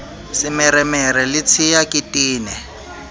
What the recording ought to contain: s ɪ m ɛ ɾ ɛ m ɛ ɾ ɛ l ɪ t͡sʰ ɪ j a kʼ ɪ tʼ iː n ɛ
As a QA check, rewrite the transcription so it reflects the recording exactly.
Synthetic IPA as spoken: s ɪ m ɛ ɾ ɛ m ɛ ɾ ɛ l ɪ t͡sʰ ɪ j a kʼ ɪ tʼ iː n ɛ